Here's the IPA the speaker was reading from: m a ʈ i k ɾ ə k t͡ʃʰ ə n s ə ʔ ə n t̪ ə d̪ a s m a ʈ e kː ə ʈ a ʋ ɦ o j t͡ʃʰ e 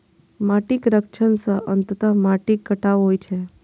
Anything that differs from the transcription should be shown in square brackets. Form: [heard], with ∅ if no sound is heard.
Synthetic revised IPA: m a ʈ i k ɾ ə k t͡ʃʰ ə n s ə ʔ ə n t̪ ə [t̪] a [∅] m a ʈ [i] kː ə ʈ a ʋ ɦ o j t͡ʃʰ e